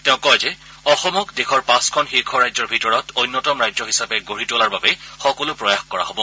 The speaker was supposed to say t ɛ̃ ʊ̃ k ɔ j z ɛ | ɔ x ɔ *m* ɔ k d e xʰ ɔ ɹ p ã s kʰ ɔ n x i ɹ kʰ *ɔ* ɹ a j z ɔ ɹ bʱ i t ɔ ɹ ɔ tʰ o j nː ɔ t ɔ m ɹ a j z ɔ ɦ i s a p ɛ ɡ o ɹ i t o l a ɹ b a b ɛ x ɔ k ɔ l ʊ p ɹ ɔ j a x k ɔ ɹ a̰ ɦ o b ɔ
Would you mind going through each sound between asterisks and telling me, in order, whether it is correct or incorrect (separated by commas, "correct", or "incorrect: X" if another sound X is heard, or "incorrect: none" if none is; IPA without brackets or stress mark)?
correct, correct